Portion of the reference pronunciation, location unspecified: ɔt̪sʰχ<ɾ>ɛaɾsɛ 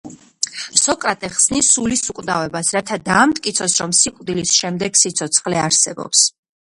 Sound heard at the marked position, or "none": l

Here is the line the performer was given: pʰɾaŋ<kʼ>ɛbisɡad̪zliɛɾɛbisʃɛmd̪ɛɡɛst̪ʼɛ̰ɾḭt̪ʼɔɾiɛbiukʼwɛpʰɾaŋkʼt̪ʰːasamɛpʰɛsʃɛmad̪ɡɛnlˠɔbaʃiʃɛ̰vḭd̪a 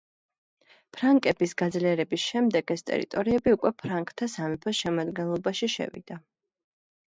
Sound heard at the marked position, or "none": kʼ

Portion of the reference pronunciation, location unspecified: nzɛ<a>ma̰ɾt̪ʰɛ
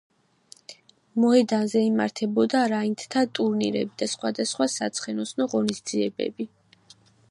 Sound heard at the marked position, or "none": i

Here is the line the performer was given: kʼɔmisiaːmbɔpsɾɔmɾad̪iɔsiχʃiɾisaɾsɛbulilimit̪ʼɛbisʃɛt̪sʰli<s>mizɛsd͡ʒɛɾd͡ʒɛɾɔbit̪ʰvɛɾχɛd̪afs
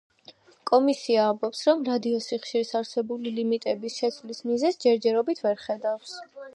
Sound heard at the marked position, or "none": s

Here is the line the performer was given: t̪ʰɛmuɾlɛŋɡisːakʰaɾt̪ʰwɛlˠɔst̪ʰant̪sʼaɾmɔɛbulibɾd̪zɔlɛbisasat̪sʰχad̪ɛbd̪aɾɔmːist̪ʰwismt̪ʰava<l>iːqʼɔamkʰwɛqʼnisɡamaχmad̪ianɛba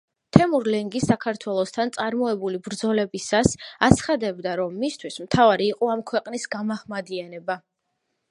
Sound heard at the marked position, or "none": ɾ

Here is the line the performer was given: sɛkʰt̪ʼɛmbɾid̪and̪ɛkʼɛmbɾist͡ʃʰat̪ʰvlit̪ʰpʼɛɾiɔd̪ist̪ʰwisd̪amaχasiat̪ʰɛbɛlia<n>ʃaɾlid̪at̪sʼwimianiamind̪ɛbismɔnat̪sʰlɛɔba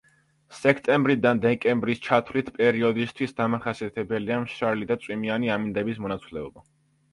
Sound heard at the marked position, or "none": m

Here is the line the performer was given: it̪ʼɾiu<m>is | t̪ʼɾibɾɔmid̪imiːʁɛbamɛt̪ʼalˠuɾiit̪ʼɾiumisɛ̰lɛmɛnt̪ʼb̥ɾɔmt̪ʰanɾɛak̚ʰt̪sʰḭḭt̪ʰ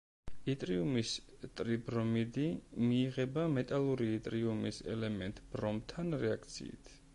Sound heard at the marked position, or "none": m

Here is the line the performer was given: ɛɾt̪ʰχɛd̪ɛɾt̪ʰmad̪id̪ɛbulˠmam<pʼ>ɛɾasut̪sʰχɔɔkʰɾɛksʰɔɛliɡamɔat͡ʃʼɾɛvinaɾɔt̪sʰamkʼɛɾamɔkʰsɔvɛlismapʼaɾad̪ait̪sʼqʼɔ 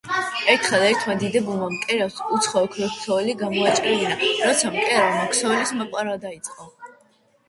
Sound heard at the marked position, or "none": kʼ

